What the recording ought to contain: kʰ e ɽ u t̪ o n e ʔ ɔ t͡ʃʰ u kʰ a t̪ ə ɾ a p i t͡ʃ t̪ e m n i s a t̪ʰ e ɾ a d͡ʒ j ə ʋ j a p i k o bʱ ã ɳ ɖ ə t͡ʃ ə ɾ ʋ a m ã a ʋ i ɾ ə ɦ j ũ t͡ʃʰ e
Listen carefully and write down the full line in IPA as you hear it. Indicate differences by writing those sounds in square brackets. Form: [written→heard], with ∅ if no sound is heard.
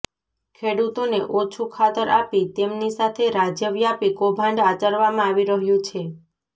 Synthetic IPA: kʰ e ɽ u t̪ o n e ʔ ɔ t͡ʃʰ u kʰ a t̪ ə ɾ a p i [t͡ʃ→∅] t̪ e m n i s a t̪ʰ e ɾ a d͡ʒ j ə ʋ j a p i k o bʱ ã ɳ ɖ [ə→a] t͡ʃ ə ɾ ʋ a m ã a ʋ i ɾ ə ɦ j ũ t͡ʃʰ e